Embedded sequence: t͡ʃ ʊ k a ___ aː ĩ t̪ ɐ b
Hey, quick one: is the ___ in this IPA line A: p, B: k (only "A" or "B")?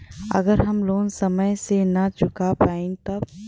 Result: A